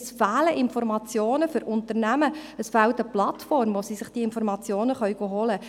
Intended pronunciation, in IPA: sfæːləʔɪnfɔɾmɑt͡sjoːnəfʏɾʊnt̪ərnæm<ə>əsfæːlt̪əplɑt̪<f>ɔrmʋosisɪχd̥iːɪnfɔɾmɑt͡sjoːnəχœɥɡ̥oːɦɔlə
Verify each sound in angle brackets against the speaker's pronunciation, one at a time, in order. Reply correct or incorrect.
correct, correct

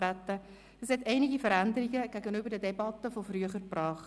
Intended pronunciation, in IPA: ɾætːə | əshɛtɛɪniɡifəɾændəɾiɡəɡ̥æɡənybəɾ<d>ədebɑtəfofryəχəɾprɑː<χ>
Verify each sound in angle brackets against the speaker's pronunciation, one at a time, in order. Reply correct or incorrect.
correct, correct

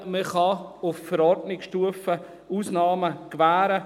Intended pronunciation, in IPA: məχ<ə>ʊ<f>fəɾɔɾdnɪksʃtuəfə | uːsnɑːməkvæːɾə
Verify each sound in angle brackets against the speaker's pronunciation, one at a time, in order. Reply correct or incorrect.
incorrect: ɑ, correct

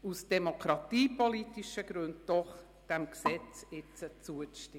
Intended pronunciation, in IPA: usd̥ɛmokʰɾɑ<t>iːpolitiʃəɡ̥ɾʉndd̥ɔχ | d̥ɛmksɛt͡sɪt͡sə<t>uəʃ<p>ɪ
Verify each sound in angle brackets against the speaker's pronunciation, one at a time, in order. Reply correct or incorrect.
correct, incorrect: t͡s, incorrect: t

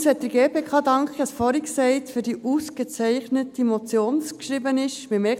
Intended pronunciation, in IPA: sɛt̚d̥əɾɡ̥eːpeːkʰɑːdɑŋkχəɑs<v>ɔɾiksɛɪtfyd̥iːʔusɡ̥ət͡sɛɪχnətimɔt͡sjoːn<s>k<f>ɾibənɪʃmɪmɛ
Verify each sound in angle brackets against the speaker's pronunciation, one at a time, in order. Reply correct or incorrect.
incorrect: f, correct, incorrect: ʃ

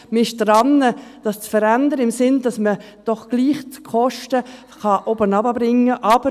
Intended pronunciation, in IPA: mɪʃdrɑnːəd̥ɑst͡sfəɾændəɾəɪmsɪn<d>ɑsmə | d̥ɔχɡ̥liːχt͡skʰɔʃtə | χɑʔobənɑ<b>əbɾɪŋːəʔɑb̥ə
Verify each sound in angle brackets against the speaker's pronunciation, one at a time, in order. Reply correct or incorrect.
correct, correct

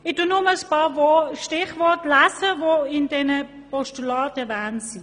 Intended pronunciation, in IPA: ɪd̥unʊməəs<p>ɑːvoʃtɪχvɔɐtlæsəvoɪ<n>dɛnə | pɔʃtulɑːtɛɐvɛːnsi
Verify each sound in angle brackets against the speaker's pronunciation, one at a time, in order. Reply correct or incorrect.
correct, correct

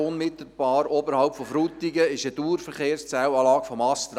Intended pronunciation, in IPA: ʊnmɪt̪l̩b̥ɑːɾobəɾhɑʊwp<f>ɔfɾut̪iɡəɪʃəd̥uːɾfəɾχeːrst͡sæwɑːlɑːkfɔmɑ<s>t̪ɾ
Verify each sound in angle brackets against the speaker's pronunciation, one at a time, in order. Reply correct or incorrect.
correct, correct

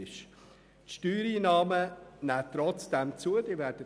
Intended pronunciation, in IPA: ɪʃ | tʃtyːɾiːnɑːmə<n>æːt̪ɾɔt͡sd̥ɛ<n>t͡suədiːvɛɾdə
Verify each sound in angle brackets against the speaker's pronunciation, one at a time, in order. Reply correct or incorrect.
correct, incorrect: m

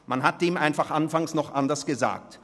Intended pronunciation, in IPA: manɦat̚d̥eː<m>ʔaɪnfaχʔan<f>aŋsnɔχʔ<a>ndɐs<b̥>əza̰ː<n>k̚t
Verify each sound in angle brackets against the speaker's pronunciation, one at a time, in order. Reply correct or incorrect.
correct, correct, correct, incorrect: ɡ̥, incorrect: none

